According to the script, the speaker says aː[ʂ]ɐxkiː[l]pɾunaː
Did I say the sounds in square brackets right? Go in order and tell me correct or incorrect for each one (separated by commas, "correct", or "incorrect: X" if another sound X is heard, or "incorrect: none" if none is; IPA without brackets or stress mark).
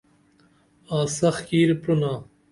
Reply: incorrect: s, incorrect: ɾ